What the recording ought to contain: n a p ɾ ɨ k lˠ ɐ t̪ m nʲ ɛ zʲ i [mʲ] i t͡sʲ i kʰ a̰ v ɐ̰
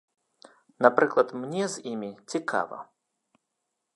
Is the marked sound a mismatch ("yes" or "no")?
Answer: no